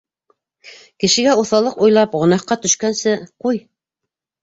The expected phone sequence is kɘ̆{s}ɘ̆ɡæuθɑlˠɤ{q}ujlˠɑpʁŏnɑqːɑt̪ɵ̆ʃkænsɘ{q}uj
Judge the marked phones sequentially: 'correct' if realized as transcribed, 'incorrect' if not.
incorrect: ʃ, correct, correct

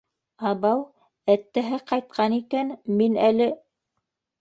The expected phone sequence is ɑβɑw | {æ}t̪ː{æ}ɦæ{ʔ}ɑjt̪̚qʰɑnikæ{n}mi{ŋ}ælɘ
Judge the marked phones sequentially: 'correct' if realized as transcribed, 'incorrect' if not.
correct, correct, incorrect: q, correct, incorrect: n

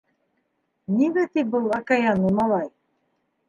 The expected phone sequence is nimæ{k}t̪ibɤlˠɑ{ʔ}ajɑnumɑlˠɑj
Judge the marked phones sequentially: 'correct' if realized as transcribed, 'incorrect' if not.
incorrect: none, incorrect: k

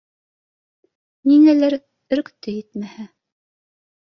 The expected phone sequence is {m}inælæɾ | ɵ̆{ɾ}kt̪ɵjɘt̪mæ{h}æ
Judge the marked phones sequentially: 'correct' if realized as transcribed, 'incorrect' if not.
incorrect: n, correct, correct

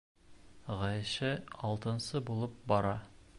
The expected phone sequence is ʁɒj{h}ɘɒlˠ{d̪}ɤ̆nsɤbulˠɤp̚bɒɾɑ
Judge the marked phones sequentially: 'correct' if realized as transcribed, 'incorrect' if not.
incorrect: ʃ, incorrect: t̪

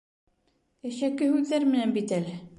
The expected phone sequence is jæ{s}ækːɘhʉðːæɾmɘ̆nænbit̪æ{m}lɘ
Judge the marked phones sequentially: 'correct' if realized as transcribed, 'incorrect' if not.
incorrect: ʃ, incorrect: none

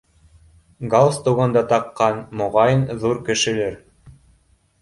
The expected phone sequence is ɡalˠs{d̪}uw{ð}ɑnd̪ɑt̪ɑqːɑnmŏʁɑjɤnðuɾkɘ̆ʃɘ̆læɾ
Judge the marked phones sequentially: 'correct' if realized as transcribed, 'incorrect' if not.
incorrect: t̪, incorrect: ʁ

